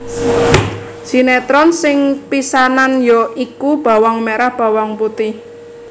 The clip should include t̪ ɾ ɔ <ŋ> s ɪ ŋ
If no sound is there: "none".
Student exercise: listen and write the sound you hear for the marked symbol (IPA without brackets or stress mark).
n